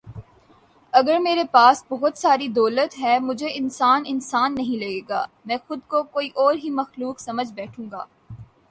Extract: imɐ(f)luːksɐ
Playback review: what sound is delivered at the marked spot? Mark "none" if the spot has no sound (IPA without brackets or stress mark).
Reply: x